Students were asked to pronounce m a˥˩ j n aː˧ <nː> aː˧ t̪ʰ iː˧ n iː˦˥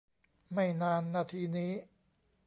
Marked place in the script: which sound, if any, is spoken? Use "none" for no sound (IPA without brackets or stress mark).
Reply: nː